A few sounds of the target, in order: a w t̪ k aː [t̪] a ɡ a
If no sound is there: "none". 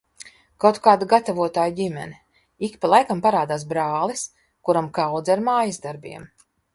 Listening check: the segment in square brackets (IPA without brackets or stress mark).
d̪